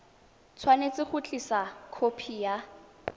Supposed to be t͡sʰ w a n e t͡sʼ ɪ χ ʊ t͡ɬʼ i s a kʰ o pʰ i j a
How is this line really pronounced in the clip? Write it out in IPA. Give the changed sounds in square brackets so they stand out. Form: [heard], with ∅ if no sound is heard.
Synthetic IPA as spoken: t͡sʰ w a n e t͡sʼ ɪ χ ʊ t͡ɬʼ i s a kʰ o pʰ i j a